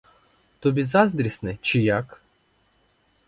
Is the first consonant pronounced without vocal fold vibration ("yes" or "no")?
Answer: yes